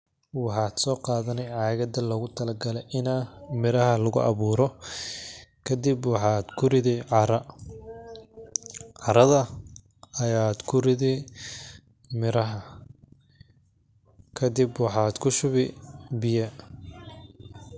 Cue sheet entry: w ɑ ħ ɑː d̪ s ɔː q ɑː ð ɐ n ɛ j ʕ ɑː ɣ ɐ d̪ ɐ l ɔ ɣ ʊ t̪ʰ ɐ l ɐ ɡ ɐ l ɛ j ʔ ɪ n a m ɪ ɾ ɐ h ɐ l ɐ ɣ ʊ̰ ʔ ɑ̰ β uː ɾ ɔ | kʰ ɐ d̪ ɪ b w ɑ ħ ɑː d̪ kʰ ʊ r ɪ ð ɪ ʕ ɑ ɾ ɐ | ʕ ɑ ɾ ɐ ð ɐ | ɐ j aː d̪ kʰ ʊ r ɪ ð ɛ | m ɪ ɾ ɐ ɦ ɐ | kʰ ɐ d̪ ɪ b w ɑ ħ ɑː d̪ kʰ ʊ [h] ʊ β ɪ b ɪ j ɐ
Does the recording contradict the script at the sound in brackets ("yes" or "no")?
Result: yes